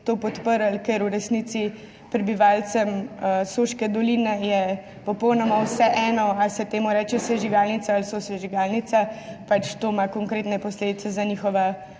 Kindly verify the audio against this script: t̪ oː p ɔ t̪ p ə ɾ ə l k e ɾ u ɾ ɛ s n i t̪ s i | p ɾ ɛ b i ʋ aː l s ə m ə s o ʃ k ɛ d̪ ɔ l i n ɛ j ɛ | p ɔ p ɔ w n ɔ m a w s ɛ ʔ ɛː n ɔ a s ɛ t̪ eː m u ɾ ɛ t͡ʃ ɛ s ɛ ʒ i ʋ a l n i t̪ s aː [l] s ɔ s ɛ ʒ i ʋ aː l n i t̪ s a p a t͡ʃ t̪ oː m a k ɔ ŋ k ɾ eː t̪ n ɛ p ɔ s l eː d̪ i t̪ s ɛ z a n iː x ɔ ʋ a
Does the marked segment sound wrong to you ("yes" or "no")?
no